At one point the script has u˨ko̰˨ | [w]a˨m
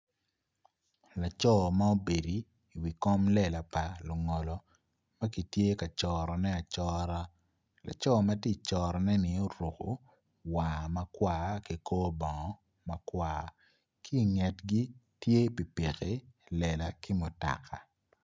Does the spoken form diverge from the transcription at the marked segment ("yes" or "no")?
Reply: no